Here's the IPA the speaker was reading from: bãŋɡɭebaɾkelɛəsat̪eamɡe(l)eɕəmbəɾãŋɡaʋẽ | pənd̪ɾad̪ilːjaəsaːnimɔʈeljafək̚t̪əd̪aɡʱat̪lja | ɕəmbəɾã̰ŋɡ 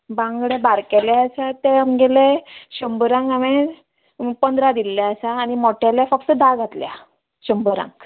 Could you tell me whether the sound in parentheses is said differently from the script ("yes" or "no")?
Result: no